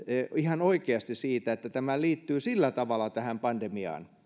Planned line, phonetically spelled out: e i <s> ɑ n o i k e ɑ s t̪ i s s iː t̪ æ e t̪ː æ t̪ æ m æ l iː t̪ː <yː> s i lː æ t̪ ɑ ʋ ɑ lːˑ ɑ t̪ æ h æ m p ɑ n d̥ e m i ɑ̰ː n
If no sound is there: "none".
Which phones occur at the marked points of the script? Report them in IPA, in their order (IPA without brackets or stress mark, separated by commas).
h, yː